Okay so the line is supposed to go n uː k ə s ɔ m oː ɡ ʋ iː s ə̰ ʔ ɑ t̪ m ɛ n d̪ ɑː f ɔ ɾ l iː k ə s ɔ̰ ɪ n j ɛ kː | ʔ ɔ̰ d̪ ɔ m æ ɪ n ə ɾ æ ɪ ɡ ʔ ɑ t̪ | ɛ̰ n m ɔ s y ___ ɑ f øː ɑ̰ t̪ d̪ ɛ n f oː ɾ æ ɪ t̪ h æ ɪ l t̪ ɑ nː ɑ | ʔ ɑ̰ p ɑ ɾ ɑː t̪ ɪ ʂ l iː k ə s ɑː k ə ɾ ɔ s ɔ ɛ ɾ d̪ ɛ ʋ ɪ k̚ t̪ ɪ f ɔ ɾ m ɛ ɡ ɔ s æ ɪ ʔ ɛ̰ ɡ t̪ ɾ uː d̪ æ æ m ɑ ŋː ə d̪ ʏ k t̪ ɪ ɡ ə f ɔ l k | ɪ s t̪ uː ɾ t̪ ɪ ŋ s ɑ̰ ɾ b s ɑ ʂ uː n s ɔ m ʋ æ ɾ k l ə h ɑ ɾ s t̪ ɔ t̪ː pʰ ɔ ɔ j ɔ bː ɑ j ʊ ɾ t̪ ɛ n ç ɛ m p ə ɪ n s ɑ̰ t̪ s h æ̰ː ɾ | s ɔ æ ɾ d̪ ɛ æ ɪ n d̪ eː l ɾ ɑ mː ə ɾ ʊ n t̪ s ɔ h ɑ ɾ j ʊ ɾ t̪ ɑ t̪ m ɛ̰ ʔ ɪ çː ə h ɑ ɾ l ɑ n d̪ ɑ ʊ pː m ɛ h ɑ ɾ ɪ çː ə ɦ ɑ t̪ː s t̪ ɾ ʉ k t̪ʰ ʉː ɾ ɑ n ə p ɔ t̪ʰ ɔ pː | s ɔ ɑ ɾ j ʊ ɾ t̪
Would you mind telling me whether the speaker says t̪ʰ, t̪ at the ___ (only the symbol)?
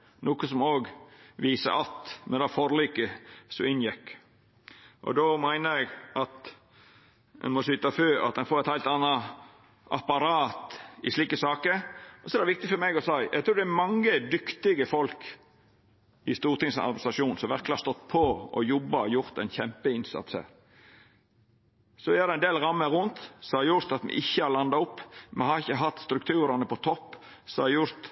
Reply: t̪